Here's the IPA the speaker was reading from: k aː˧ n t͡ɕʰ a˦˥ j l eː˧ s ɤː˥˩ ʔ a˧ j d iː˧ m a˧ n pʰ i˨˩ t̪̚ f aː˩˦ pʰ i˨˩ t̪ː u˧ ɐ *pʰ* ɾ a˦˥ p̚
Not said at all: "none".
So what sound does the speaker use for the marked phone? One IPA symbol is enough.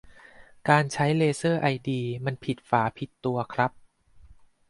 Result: kʰ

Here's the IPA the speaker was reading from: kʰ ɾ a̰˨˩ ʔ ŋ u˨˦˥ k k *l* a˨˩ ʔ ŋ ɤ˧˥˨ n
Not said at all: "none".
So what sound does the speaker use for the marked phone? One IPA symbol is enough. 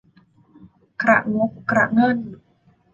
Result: ɾ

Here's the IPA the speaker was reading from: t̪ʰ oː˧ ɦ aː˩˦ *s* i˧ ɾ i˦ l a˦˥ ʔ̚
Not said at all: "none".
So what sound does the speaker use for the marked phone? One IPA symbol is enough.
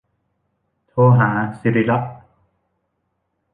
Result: s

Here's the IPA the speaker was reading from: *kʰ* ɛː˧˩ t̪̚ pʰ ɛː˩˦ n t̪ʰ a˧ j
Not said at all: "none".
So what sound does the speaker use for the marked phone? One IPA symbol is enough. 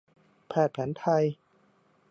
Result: pʰ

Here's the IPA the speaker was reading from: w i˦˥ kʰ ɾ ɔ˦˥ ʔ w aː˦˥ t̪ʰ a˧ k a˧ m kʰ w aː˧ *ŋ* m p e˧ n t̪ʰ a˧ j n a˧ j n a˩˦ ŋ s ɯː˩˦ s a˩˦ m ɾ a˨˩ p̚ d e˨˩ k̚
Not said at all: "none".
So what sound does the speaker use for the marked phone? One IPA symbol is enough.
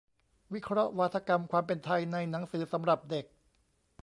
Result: none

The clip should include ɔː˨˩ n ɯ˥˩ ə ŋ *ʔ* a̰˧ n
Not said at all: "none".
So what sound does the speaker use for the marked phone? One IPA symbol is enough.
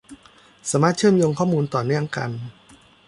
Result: k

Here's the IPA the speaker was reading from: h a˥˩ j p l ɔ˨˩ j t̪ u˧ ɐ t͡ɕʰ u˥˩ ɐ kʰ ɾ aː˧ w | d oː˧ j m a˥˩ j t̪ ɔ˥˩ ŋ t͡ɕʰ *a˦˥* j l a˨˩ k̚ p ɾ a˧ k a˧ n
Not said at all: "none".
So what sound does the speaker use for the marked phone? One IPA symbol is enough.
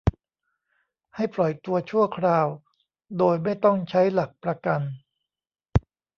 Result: a˦˥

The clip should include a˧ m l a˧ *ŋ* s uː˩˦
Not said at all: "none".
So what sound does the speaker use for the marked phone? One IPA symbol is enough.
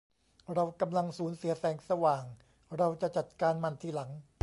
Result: ŋ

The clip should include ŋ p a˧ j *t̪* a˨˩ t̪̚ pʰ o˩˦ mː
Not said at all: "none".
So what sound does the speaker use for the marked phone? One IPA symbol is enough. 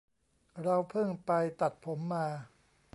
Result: t̪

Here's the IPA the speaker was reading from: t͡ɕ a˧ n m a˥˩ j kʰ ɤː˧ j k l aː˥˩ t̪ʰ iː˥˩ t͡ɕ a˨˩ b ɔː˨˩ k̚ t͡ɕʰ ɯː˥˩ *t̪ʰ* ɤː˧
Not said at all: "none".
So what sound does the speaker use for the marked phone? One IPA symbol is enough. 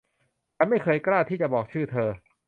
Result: t̪ʰ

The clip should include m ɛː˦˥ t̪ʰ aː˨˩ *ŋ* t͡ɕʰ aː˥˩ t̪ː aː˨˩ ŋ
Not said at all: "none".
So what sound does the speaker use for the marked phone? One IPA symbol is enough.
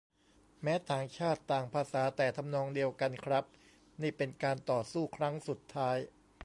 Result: ŋ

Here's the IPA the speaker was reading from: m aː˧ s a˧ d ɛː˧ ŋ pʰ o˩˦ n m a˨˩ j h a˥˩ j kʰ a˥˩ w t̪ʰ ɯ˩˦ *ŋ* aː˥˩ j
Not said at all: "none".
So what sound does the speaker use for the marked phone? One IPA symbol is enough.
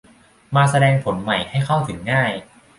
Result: ŋː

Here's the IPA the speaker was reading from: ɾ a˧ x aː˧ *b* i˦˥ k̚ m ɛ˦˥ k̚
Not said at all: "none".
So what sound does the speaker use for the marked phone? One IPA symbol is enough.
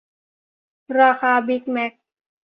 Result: b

